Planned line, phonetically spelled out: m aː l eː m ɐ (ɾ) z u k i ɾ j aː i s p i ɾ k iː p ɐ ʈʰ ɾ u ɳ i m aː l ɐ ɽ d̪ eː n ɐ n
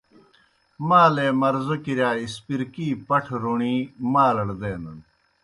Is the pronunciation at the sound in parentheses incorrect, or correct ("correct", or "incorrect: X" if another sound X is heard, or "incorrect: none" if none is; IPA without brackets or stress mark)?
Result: correct